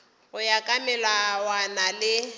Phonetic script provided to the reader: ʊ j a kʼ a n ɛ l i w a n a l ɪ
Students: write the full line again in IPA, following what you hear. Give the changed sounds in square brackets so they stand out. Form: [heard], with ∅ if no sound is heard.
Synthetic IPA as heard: ʊ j a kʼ a [m] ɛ l [a] w a n a l ɪ